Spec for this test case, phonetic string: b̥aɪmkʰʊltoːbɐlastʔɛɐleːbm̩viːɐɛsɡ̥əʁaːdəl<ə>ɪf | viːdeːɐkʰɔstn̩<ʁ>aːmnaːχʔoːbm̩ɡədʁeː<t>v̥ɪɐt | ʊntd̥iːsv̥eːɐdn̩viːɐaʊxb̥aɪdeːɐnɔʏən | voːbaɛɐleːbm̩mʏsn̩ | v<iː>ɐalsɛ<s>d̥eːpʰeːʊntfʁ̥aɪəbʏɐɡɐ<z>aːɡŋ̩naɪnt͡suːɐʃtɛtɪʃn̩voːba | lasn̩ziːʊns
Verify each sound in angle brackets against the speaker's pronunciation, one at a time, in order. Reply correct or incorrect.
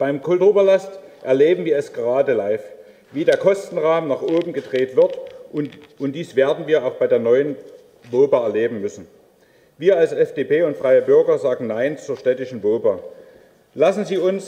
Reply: incorrect, correct, correct, correct, incorrect, correct

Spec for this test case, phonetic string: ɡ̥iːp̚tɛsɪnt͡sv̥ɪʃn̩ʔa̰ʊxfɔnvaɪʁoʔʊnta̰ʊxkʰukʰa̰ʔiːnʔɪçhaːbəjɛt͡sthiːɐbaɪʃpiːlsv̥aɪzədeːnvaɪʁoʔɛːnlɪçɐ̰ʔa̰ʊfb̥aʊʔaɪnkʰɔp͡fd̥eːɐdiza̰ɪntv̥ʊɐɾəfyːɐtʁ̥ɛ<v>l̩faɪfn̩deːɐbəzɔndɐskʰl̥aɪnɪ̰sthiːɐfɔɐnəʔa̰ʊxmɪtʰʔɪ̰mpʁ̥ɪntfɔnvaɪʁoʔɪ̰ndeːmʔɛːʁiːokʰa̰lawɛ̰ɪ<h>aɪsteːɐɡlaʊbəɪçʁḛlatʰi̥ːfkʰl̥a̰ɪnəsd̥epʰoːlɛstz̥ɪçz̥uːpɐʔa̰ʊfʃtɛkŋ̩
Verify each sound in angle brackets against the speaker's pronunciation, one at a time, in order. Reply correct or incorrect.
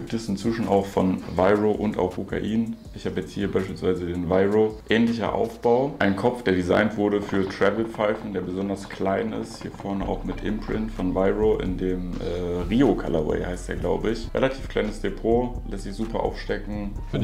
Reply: correct, correct

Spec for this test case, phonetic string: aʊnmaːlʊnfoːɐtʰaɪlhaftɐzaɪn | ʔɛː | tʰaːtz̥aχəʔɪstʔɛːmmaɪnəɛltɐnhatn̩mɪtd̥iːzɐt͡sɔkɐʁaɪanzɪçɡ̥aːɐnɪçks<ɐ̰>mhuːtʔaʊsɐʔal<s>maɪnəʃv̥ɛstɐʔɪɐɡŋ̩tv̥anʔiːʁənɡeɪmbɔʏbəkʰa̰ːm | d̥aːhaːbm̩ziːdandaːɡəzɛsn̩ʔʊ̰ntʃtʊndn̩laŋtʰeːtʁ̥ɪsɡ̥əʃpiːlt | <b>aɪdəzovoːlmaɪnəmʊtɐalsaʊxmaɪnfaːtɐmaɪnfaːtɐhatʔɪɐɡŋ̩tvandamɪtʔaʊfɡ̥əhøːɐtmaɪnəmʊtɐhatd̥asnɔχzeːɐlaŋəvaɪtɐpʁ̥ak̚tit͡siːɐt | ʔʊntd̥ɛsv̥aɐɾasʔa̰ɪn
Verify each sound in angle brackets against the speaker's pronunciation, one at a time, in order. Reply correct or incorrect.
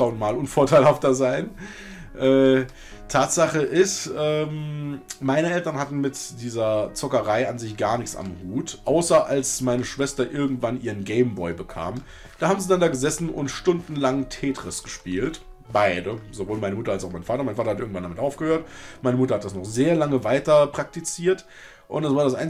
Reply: incorrect, correct, correct

